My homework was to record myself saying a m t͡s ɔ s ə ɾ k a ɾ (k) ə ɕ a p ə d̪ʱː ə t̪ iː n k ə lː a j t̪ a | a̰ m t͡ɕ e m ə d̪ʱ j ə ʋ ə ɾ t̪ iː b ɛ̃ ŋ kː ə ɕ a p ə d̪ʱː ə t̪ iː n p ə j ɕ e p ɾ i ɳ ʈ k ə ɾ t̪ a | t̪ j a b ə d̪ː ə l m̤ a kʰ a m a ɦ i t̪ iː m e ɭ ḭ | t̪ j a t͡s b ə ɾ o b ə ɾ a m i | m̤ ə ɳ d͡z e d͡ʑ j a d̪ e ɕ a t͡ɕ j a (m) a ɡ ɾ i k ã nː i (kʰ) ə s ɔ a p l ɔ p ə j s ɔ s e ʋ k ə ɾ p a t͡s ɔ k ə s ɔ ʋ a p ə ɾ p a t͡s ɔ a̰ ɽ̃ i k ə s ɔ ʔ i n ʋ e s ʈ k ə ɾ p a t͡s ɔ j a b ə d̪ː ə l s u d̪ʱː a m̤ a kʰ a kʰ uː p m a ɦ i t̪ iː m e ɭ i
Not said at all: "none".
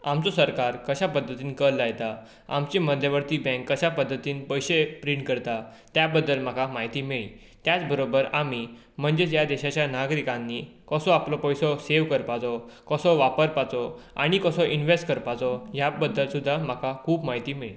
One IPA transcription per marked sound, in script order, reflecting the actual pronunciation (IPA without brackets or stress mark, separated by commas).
k, n, k